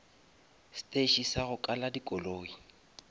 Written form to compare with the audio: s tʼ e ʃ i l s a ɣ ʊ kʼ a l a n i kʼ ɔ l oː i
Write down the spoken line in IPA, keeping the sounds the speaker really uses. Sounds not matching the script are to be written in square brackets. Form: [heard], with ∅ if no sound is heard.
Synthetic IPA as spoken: s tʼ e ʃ i [∅] s a ɣ ʊ kʼ a l a [d] i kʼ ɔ l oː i